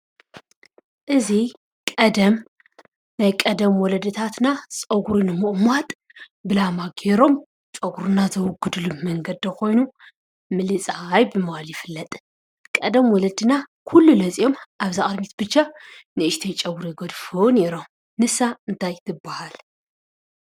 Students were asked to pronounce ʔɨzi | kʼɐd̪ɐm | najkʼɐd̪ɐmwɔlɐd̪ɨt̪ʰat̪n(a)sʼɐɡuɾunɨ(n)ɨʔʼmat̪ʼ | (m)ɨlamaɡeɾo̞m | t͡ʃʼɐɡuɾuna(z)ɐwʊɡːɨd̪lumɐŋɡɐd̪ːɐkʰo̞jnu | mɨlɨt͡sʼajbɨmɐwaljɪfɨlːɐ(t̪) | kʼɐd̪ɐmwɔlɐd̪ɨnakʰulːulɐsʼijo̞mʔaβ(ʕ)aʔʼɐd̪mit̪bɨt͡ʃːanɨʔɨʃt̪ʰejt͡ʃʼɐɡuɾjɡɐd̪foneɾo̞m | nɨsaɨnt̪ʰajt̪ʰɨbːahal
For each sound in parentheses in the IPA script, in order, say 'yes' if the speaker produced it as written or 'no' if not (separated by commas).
yes, no, no, yes, no, no